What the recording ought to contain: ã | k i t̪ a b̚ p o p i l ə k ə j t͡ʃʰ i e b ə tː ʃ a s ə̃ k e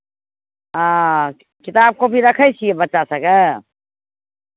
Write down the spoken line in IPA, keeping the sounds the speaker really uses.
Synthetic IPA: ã | k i t̪ a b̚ k o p i ɾ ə kʰ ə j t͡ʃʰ i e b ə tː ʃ a s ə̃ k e

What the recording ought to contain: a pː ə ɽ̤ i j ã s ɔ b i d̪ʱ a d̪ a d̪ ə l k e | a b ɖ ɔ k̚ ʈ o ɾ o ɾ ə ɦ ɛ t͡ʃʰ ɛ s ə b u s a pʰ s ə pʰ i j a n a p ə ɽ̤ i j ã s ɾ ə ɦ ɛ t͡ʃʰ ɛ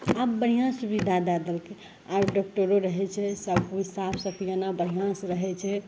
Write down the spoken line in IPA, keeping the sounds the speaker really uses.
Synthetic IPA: a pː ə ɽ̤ i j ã s u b i d̪ʱ a d̪ a d̪ ə l k e | a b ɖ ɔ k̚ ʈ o ɾ o ɾ ə ɦ ɛ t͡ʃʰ ɛ s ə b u s a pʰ s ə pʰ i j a n a b ə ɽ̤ i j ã s ɾ ə ɦ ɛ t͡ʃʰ ɛ

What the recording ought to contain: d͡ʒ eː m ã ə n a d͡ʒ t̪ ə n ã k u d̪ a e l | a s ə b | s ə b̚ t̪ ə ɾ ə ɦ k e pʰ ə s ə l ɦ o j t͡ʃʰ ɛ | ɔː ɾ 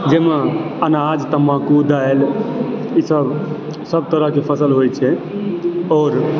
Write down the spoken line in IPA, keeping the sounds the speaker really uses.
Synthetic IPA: d͡ʒ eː m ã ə n a d͡ʒ t̪ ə m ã k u d̪ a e l | i s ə b | s ə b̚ t̪ ə ɾ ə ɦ k e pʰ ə s ə l ɦ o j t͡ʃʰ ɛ | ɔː ɾ

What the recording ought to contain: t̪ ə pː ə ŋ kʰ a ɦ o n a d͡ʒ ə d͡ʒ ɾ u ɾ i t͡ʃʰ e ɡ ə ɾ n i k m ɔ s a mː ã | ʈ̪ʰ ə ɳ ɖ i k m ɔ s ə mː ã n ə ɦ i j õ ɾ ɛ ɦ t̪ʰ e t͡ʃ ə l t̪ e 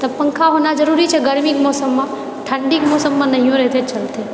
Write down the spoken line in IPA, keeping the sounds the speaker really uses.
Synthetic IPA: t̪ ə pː ə ŋ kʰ a ɦ o n a d͡ʒ ə ɾ u ɾ i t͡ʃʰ e ɡ ə ɾ m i k m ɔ s ə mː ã | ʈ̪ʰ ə ɳ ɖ i k m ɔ s ə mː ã n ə ɦ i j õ ɾ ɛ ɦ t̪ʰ e t͡ʃ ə l t̪ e

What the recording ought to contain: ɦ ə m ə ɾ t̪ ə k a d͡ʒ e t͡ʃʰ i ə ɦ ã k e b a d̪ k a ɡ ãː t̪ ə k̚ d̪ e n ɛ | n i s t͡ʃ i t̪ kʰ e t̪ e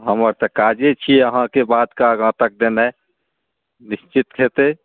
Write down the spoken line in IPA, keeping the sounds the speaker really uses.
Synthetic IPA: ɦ ə m ə ɾ t̪ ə k a d͡ʒ e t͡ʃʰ i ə ɦ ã k e b a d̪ k a ɡ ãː t̪ ə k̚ d̪ e n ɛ | n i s t͡ʃ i t̪ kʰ e t̪ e

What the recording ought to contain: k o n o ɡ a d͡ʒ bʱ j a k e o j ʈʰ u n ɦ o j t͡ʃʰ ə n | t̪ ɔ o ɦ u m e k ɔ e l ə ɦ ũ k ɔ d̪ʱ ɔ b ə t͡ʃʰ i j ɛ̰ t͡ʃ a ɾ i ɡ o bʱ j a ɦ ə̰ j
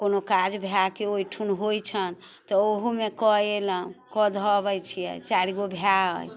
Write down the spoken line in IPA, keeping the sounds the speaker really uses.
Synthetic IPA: k o n o k a d͡ʒ bʱ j a k e o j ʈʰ u n ɦ o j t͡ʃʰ ə n | t̪ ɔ o ɦ u m e k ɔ e l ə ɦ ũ k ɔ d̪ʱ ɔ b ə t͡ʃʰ i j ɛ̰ t͡ʃ a ɾ i ɡ o bʱ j a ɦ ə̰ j

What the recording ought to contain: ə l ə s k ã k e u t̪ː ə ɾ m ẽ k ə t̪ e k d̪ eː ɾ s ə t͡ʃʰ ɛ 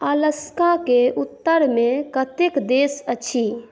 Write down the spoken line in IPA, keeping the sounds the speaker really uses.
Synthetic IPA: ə l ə s k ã k e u t̪ː ə ɾ m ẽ k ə t̪ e k d̪ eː s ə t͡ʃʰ i

